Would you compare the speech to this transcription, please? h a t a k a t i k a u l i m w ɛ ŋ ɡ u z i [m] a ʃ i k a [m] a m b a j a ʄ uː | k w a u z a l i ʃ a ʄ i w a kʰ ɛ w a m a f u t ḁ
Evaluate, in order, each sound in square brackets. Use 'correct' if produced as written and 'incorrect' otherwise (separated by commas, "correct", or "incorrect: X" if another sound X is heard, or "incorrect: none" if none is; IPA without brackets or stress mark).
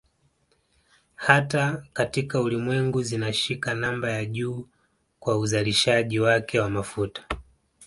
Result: incorrect: n, incorrect: n